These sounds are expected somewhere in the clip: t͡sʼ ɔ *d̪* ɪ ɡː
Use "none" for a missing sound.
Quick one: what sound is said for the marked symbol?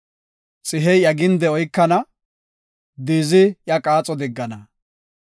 d̪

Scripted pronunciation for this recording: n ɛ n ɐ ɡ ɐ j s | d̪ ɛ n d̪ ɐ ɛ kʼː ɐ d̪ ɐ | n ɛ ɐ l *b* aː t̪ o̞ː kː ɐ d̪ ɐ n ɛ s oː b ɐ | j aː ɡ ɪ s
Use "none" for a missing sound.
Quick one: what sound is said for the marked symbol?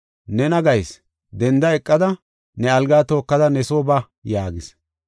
ɡ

